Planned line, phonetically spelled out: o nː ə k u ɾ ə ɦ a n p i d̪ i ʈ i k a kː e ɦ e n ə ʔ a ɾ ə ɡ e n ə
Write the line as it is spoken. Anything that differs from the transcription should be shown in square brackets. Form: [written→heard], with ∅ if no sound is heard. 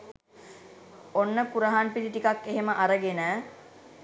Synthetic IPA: o nː ə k u ɾ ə ɦ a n p i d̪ i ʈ i k a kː e ɦ e [n→m] ə ʔ a ɾ ə ɡ e n ə